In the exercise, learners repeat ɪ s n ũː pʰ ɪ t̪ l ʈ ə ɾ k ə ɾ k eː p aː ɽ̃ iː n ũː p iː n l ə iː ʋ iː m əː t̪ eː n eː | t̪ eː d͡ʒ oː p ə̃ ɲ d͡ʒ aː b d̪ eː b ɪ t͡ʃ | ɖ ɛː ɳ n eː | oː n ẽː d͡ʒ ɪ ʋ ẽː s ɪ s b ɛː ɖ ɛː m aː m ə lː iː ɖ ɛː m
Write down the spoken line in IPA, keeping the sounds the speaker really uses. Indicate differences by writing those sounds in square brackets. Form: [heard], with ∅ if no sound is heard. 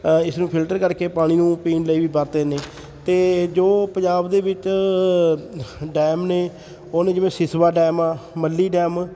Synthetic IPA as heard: ɪ s n ũː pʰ ɪ [∅] l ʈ ə ɾ k ə ɾ k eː p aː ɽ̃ iː n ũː p iː n l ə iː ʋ iː [b] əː t̪ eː n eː | t̪ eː d͡ʒ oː p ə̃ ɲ d͡ʒ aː b d̪ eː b ɪ t͡ʃ | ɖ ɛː [m] n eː | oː n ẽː d͡ʒ ɪ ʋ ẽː s ɪ s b [aː] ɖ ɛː m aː m ə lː iː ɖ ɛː m